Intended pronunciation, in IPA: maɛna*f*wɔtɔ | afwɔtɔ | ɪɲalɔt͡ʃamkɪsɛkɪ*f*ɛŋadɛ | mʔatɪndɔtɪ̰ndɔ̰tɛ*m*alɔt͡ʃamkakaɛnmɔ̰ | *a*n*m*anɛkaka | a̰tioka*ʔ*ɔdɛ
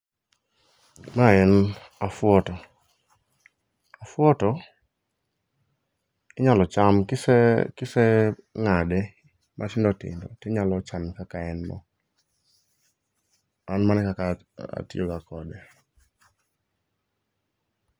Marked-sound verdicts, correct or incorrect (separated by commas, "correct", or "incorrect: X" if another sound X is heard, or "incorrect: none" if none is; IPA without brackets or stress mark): correct, incorrect: s, incorrect: ɲ, correct, correct, incorrect: k